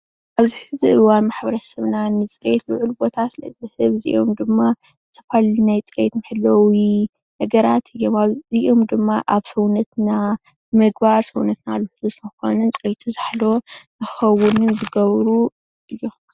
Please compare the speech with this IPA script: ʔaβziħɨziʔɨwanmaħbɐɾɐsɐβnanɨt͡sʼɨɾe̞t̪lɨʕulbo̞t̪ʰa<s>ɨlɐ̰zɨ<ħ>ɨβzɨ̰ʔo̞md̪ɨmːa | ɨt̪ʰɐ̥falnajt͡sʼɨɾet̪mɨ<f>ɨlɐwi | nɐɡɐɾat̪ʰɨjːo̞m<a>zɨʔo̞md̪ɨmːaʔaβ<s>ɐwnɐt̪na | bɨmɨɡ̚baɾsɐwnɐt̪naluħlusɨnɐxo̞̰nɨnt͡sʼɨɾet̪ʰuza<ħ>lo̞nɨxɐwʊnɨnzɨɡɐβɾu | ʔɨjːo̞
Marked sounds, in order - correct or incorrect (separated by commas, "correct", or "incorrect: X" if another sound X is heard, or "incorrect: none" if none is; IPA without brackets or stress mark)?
correct, incorrect: h, incorrect: ħ, correct, correct, correct